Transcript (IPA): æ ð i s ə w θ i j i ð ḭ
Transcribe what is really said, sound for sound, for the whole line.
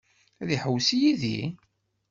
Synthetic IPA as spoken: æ ð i ħ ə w s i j i ð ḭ